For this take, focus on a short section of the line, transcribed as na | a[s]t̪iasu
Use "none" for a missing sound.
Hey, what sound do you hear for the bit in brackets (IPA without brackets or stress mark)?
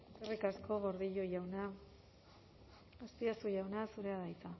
s